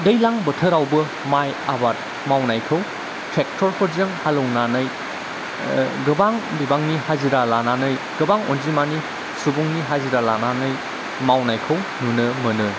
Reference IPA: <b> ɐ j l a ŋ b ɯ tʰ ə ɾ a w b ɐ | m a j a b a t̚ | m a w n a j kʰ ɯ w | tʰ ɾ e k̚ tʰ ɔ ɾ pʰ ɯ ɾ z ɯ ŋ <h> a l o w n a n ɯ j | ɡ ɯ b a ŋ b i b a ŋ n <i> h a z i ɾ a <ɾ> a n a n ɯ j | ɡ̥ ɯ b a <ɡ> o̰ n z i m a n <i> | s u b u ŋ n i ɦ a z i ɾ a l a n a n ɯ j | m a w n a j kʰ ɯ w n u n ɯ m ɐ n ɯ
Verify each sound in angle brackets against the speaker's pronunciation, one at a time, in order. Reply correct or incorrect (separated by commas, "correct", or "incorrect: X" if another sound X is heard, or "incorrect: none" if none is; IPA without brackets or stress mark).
incorrect: d, correct, correct, incorrect: l, incorrect: ŋ, correct